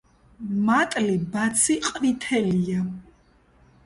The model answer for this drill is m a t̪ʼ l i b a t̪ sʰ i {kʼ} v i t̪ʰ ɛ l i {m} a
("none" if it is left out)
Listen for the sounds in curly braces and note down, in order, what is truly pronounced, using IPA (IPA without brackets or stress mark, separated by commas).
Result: qʼ, none